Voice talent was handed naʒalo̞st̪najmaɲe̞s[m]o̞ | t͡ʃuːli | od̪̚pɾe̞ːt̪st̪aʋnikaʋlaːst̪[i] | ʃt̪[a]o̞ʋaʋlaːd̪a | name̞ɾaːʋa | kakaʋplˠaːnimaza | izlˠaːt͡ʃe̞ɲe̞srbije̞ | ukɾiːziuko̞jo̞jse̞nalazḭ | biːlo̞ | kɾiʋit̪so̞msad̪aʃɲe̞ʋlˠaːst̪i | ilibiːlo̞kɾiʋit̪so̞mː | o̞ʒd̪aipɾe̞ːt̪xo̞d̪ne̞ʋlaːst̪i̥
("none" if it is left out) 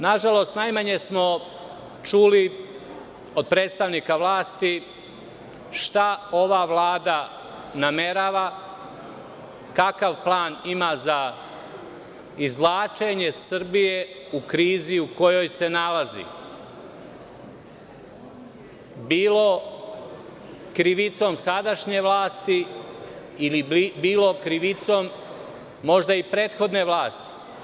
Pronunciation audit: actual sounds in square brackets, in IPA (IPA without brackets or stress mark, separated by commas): m, i, a